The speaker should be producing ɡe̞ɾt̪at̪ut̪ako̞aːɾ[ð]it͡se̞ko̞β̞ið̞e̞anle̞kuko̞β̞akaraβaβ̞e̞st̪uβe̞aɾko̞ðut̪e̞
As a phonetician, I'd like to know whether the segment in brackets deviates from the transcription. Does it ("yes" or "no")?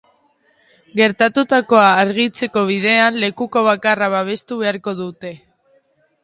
yes